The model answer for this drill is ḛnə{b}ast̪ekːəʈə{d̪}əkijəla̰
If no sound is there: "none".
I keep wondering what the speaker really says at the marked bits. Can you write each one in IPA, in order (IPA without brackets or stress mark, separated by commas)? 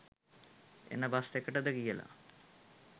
b, d̪